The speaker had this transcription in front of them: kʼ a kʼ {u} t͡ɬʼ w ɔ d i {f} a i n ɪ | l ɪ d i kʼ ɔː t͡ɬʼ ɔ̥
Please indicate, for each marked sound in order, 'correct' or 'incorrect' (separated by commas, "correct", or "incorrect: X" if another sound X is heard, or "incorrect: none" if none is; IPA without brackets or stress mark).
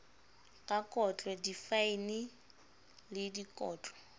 incorrect: ɔ, correct